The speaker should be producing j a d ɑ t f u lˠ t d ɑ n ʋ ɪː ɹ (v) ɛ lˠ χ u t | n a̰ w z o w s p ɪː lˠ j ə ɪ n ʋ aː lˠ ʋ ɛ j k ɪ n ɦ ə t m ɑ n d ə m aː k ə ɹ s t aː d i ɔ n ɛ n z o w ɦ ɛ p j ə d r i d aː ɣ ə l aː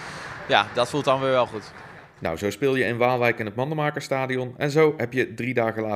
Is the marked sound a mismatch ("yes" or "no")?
yes